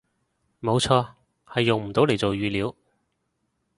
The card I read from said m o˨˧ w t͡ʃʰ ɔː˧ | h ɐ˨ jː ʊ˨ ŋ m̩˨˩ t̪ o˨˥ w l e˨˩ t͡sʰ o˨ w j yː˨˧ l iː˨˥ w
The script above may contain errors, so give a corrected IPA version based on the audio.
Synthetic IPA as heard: m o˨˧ w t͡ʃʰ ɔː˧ | h ɐ˨ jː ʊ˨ ŋ m̩˨˩ t̪ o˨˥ w l e˨˩ t͡s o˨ w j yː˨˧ l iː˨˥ w

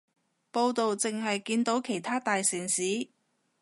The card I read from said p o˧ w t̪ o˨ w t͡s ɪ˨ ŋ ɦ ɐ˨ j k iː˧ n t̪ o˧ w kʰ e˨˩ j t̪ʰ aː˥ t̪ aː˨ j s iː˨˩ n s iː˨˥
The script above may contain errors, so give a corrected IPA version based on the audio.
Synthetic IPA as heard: p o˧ w t̪ o˨ w t͡s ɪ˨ ŋ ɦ ɐ˨ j k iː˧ n t̪ o˨˥ w kʰ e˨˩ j t̪ʰ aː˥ t̪ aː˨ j s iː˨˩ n s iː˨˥

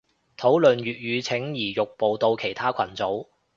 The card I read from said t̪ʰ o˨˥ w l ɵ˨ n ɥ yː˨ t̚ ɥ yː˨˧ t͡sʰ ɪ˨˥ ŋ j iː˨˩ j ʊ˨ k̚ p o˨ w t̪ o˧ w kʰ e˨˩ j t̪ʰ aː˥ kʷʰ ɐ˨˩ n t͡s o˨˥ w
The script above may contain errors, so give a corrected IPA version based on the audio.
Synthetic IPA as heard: t̪ʰ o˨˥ w l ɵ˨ n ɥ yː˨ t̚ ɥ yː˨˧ t͡sʰ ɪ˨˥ ŋ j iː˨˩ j ʊ˨ k̚ p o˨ w t̪ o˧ w kʰ e˨˩ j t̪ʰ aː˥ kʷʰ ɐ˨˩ n t͡s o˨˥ w

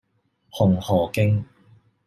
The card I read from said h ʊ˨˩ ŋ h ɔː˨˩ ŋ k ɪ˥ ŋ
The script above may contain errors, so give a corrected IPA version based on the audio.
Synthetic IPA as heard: h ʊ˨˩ ŋ h ɔː˨˩ k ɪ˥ ŋ

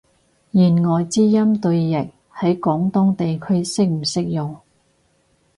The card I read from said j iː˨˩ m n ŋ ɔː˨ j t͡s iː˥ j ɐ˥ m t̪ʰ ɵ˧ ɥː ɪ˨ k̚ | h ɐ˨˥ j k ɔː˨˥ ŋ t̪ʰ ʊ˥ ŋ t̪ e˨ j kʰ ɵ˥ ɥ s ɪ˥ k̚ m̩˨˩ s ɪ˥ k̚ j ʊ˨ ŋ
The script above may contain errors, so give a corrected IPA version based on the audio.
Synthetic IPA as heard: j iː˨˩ n ŋ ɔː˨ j t͡s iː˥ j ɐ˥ m t̪ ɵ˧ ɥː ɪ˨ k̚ | h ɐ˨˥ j k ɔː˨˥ ŋ t̪ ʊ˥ ŋ t̪ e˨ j kʰ ɵ˥ ɥ s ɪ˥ k̚ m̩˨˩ s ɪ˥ k̚ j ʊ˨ ŋ

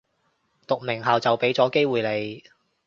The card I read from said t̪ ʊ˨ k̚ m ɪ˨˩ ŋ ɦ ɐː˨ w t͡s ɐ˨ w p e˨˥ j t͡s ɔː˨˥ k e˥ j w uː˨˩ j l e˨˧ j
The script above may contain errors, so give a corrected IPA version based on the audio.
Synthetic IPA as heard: t̪ ʊ˨ k̚ m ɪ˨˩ ŋ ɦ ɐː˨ w t͡s ɐ˨ w p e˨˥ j t͡s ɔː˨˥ k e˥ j w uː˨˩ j l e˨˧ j

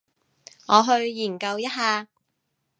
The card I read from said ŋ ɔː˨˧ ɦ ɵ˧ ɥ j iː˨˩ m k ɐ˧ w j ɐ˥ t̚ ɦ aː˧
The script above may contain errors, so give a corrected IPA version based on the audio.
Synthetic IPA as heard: ŋ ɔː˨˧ ɦ ɵ˧ ɥ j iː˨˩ n k ɐ˧ w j ɐ˥ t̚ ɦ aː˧

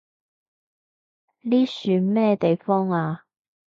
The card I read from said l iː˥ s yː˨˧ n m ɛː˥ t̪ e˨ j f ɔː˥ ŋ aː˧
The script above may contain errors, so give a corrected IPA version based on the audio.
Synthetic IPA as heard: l iː˥ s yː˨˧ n m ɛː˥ t̪ e˨ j f ɔː˥ ŋ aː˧

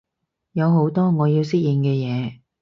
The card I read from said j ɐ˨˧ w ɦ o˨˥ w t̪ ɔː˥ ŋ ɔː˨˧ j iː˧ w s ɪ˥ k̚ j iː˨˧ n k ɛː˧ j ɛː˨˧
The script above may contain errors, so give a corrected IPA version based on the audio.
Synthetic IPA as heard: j ɐ˨˧ w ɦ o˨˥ w t̪ ɔː˥ ŋ ɔː˨˧ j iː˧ w s ɪ˥ k̚ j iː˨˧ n k ɛː˧ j ɛː˨˧

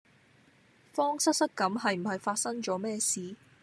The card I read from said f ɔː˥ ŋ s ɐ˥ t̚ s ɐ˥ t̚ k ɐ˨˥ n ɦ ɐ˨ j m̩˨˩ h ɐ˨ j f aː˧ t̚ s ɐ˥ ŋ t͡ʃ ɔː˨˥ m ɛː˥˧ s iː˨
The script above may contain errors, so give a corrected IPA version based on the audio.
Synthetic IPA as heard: f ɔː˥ ŋ s ɐ˥ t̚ s ɐ˥ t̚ k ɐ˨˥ m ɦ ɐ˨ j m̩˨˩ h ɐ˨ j f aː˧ t̚ s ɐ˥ ŋ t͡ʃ ɔː˨˥ m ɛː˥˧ s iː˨

